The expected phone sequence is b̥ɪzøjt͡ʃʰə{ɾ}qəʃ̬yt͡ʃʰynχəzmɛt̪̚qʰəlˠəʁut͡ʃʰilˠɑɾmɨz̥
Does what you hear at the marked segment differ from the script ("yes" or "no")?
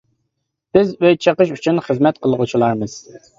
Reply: yes